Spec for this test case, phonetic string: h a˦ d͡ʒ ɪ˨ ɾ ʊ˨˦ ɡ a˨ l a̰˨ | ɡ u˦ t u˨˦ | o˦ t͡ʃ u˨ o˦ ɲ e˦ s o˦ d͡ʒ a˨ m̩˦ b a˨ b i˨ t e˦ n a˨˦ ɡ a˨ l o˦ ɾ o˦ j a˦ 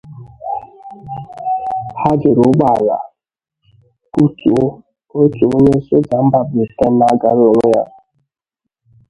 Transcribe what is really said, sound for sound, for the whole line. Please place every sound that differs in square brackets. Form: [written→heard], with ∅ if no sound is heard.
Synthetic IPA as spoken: h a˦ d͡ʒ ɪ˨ ɾ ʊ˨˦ [ɡ→ɡ͡b] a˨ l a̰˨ | [ɡ→k] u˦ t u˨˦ | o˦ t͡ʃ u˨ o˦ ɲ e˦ s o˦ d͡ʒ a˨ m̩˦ b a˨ b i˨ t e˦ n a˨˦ ɡ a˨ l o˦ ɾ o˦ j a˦